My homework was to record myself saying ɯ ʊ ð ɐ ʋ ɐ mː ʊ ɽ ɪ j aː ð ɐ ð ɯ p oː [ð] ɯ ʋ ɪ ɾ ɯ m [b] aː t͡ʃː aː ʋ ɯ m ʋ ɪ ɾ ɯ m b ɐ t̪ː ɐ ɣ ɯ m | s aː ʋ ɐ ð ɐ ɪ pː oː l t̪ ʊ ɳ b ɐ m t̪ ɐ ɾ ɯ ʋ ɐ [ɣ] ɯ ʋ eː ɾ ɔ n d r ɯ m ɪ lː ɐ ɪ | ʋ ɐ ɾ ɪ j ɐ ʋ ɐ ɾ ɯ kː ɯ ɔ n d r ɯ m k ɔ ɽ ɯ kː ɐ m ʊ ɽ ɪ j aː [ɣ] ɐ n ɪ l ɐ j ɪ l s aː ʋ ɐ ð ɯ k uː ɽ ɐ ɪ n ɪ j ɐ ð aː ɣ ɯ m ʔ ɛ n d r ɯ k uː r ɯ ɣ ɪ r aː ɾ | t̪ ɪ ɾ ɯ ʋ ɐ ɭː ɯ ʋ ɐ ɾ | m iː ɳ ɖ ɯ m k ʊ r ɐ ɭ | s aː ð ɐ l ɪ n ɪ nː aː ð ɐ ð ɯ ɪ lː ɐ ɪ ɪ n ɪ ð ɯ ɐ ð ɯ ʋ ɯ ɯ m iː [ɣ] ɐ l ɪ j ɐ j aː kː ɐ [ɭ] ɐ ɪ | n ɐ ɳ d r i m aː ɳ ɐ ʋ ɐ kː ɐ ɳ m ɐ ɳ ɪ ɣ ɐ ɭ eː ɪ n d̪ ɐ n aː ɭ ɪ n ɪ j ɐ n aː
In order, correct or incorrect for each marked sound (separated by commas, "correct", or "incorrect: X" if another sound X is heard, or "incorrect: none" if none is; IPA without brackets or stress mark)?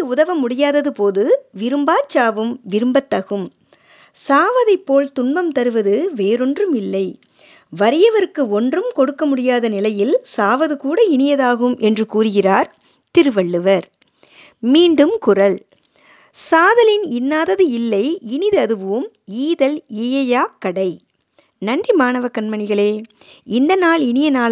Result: correct, correct, incorrect: ð, incorrect: ð, incorrect: ð, incorrect: ɽ